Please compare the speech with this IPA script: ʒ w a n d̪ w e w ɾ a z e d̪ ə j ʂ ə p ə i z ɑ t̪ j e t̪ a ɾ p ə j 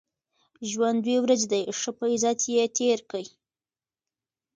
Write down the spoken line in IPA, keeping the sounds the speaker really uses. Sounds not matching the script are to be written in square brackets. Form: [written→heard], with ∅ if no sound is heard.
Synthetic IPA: ʒ w a n d̪ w e w ɾ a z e d̪ [ə→a] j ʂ ə p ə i z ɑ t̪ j e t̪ [a→e] ɾ [p→k] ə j